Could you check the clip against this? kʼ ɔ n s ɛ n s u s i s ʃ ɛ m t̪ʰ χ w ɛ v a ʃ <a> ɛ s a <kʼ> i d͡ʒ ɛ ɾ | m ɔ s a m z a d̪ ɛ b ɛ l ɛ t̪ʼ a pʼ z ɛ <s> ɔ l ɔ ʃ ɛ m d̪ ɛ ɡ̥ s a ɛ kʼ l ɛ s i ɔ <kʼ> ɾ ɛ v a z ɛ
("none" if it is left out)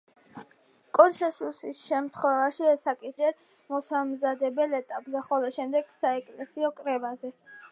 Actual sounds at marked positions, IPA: i, kʼ, χ, kʼ

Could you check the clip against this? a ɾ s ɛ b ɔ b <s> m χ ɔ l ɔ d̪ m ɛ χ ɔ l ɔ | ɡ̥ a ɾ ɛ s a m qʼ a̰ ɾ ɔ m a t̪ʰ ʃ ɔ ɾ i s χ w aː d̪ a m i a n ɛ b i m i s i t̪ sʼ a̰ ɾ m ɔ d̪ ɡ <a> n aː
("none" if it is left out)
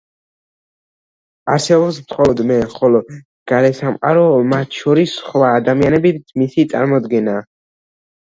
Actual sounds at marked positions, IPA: s, ɛ

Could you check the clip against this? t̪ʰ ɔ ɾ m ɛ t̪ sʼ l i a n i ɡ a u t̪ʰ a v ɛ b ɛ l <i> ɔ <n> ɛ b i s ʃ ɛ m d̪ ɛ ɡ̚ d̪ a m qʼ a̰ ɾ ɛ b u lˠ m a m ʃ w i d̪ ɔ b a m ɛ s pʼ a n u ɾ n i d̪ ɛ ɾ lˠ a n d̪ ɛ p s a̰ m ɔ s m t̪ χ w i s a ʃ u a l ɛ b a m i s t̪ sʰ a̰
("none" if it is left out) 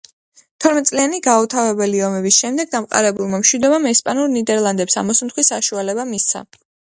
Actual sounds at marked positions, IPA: i, m

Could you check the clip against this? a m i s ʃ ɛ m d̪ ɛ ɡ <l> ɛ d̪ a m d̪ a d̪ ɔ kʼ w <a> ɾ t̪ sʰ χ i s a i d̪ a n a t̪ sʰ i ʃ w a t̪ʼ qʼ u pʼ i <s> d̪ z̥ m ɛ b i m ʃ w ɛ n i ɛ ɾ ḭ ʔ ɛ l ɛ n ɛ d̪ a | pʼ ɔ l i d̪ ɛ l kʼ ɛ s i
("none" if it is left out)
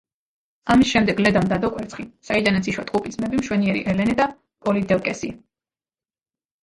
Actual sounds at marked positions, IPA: l, ɛ, none

